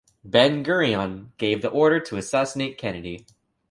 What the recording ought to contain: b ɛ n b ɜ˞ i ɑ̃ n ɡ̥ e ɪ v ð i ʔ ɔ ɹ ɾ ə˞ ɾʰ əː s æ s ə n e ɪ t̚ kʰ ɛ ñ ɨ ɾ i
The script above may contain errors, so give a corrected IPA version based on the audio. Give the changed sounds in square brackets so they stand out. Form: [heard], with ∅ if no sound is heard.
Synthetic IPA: b [ɛ̃] n [ɡ] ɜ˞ i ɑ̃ n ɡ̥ e ɪ v ð i ʔ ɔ ɹ ɾ ə˞ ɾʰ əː s æ s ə n e ɪ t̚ kʰ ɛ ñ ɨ ɾ i